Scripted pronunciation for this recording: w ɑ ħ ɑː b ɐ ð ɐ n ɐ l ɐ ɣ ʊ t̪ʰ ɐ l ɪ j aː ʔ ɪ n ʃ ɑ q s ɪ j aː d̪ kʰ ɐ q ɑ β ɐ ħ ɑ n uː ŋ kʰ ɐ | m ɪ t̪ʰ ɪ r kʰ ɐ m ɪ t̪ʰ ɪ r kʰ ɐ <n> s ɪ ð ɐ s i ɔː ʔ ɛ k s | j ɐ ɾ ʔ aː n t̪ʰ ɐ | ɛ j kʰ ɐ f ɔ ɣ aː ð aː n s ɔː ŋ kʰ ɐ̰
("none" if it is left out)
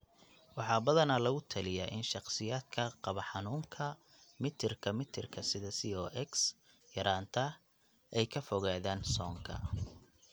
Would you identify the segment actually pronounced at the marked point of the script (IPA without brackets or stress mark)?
none